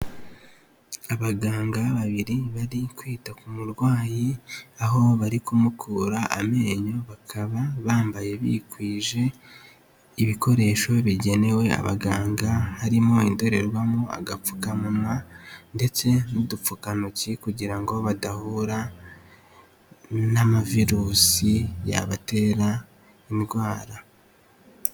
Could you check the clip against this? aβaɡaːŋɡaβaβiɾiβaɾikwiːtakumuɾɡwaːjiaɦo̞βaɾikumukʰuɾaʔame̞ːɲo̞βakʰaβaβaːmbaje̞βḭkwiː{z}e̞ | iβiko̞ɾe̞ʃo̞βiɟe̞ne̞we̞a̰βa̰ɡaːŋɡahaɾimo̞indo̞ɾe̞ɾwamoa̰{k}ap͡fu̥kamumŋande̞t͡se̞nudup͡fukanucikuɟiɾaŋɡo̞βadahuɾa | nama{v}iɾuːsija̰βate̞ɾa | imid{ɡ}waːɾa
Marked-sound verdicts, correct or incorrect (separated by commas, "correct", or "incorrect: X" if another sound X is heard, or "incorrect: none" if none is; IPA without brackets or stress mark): incorrect: ʒ, incorrect: ɡ, correct, correct